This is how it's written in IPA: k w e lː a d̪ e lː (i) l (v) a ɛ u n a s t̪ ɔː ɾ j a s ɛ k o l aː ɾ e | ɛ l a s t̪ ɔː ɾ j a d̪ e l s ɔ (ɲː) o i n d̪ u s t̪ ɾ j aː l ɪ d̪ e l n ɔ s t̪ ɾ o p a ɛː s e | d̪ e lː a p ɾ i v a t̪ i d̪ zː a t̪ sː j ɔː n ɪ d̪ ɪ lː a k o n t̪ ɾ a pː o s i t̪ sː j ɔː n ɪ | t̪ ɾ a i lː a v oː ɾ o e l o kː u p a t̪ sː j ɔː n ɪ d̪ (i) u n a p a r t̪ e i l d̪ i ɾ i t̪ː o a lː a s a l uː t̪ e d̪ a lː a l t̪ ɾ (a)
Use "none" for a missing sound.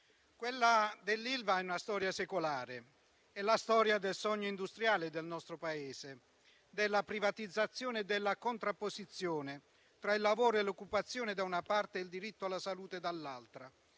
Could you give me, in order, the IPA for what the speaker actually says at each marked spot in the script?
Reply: i, v, ɲː, a, a

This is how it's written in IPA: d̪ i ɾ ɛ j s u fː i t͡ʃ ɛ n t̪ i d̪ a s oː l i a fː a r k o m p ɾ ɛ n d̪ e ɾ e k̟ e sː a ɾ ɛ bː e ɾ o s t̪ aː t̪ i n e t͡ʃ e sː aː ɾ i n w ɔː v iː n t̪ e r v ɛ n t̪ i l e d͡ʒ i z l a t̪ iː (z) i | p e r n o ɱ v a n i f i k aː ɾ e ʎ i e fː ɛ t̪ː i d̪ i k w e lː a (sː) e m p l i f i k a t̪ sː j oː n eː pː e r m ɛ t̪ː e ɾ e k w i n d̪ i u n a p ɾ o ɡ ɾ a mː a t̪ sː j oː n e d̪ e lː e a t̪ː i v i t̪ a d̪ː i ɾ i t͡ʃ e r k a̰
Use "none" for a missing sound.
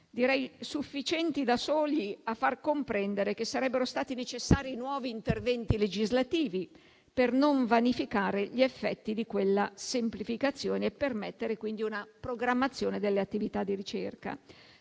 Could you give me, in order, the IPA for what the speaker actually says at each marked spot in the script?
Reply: v, s

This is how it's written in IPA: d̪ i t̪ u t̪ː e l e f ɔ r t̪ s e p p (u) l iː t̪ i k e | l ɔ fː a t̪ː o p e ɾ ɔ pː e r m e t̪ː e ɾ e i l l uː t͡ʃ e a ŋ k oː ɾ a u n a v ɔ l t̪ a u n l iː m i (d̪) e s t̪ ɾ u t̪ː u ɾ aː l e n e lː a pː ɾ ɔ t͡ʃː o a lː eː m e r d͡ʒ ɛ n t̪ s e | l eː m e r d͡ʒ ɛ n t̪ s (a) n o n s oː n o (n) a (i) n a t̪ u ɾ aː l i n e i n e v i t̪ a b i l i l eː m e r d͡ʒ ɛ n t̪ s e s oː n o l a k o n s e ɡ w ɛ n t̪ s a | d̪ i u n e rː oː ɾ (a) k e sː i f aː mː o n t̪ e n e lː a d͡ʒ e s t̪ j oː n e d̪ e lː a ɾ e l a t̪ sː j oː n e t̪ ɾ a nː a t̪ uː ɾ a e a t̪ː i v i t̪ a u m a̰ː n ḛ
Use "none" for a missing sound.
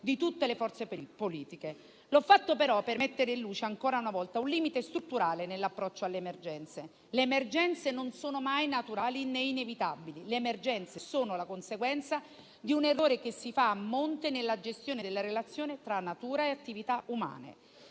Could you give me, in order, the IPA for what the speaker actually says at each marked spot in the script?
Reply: o, t̪, e, m, j, e

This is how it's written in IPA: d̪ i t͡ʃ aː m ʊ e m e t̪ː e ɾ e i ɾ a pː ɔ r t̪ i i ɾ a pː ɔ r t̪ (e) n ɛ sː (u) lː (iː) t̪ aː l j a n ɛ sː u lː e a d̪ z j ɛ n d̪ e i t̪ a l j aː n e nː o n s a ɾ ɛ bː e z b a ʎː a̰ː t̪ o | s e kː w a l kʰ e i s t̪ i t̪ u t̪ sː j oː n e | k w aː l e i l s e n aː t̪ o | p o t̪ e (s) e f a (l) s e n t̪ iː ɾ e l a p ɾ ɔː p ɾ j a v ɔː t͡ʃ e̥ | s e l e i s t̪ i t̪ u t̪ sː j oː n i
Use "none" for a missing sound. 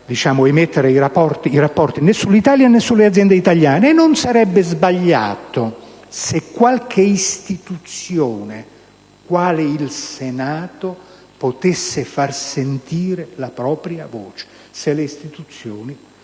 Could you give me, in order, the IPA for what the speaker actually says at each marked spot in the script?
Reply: i, u, i, sː, r

